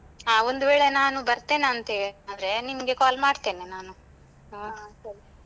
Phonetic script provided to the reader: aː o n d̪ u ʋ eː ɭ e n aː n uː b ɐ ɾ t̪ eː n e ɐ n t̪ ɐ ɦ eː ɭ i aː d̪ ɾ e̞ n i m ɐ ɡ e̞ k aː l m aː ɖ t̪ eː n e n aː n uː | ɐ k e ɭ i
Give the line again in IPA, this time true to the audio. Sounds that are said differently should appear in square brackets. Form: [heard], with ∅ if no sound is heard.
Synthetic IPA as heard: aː o n d̪ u ʋ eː ɭ e n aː n [u] b ɐ ɾ t̪ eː n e ɐ n t̪ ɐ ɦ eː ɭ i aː d̪ ɾ e̞ n i m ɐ ɡ e̞ k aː l m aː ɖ t̪ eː n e n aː n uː | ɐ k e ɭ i